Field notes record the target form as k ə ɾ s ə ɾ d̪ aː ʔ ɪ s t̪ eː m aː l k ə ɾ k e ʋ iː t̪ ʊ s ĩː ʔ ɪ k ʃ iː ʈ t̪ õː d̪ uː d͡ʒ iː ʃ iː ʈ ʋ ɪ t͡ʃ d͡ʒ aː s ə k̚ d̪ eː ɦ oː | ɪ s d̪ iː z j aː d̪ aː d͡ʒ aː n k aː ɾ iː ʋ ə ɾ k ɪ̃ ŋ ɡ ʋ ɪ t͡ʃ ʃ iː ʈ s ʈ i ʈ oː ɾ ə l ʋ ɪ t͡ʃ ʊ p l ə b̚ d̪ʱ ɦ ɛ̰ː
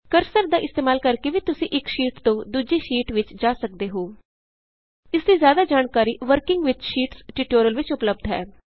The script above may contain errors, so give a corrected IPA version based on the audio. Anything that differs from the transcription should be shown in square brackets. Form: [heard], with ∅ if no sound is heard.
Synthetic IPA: k ə ɾ s ə ɾ d̪ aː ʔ ɪ s t̪ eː m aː l k ə ɾ k e ʋ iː t̪ ʊ s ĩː ʔ ɪ k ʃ iː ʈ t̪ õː d̪ uː d͡ʒ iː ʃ iː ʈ ʋ ɪ t͡ʃ d͡ʒ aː s ə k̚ d̪ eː ɦ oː | ɪ s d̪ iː z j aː d̪ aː d͡ʒ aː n k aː ɾ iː ʋ ə ɾ k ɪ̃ ŋ ɡ ʋ ɪ t͡ʃ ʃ iː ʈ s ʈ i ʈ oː ɾ ə l ʋ ɪ t͡ʃ ʊ p l ə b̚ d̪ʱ ɦ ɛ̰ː